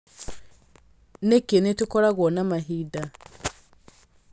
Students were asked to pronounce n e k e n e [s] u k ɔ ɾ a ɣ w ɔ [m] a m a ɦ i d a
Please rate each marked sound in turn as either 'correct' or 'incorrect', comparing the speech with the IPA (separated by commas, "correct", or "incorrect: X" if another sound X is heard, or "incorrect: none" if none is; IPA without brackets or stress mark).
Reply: incorrect: t, incorrect: n